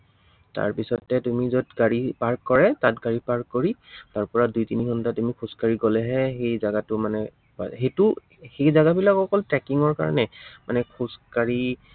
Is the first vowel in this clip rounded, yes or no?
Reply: no